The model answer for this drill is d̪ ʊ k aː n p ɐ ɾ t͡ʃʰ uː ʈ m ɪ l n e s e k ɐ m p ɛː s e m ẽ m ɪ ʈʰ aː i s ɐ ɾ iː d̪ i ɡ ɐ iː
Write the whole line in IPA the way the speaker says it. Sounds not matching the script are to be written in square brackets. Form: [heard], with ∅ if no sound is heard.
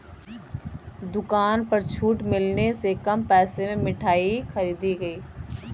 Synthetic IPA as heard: d̪ ʊ k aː n p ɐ ɾ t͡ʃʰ uː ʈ m ɪ l n e s e k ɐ m p ɛː s e m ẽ m ɪ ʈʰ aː i [x] ɐ ɾ iː d̪ i ɡ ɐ iː